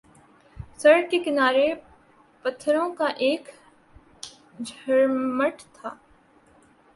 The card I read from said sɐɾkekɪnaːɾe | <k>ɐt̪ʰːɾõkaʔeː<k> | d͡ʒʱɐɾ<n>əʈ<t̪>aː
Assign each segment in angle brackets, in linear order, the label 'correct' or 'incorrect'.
incorrect, correct, incorrect, incorrect

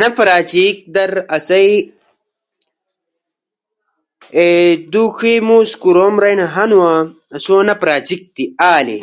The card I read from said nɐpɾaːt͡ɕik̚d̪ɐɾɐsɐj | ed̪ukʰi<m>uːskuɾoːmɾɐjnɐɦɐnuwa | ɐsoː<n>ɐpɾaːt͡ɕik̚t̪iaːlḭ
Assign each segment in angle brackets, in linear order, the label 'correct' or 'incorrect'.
correct, correct

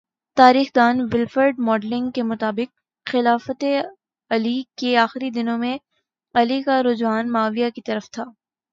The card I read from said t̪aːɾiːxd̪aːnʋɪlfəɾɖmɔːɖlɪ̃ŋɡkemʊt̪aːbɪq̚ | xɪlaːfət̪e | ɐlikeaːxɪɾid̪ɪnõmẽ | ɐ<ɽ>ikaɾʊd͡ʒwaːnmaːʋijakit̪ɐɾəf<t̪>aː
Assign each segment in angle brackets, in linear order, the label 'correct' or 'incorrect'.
incorrect, incorrect

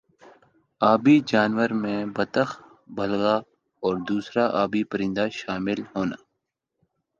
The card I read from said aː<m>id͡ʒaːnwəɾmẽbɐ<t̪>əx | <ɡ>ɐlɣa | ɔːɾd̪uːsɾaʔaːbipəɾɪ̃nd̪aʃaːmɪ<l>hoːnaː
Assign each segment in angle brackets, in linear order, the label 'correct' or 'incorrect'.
incorrect, correct, incorrect, correct

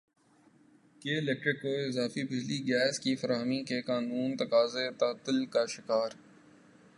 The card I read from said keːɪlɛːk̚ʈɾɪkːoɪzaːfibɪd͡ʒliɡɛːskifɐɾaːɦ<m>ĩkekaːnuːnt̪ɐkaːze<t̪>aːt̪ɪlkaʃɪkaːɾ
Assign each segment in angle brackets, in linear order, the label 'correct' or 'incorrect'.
correct, correct

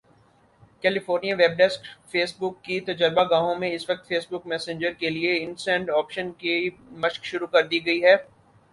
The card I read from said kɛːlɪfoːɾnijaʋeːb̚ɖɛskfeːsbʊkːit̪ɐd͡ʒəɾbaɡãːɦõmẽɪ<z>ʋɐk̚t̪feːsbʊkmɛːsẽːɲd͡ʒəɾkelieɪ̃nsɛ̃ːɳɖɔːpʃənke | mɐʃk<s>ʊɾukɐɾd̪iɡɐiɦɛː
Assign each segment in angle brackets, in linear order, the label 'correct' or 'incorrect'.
incorrect, incorrect

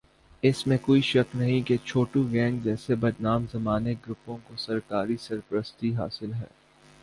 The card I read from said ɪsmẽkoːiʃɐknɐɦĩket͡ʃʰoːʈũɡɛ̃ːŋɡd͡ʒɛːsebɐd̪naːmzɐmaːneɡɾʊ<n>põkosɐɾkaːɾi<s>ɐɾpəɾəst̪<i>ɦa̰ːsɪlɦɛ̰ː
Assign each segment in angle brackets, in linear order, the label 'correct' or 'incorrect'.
incorrect, correct, correct

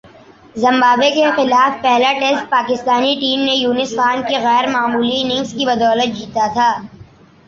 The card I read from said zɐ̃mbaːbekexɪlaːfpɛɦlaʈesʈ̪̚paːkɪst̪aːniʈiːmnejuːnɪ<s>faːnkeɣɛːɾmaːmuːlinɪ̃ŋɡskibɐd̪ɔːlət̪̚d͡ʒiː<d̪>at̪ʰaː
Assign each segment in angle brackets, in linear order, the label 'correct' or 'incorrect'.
correct, incorrect

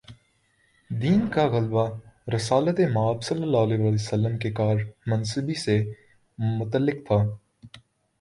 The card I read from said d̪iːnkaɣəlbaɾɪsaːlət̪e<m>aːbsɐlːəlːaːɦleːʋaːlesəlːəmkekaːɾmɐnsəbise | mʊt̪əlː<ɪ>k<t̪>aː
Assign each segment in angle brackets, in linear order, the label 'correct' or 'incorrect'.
correct, correct, incorrect

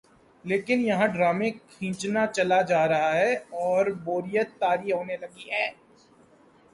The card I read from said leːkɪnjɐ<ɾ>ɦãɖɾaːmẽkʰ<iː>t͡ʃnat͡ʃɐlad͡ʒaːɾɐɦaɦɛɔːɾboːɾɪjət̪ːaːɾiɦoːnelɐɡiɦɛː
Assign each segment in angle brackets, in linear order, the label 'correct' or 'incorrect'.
incorrect, incorrect

